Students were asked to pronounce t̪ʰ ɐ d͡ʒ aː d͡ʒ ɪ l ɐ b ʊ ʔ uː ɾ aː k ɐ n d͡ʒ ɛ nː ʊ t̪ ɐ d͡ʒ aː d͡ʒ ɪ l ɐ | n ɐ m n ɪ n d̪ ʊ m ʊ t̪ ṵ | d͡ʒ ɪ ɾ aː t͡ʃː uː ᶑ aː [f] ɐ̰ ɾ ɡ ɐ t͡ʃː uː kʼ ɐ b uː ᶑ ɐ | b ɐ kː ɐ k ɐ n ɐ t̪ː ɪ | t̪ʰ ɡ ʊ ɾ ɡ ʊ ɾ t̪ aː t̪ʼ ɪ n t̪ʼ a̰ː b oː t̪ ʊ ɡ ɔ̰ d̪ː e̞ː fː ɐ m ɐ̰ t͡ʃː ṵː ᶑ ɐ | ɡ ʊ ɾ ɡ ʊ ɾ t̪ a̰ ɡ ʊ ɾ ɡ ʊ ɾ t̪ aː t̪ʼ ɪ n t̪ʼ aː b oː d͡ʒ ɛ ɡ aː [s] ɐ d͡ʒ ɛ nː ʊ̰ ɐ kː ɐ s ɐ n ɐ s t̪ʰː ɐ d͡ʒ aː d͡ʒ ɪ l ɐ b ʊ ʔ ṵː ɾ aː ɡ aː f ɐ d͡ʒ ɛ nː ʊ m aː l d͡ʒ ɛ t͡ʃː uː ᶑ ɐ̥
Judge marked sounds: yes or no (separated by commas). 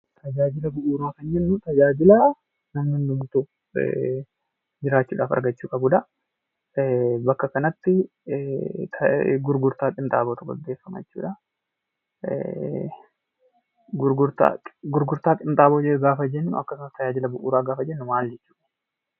yes, no